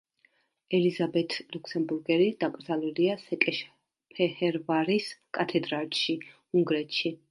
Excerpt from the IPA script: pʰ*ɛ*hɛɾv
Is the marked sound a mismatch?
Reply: no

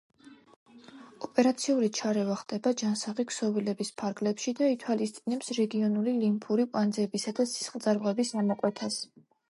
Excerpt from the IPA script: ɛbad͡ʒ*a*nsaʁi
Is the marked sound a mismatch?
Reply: no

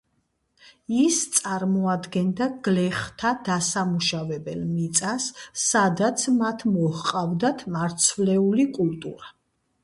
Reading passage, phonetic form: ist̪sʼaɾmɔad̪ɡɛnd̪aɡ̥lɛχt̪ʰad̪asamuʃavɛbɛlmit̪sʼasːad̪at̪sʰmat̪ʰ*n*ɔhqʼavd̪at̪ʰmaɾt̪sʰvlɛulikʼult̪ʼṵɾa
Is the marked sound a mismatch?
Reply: yes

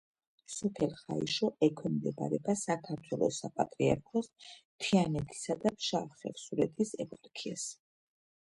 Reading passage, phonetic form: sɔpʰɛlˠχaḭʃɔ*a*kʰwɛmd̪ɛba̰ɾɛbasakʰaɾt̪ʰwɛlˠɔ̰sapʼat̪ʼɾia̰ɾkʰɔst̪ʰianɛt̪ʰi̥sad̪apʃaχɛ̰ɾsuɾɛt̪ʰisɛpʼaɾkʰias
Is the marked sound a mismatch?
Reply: yes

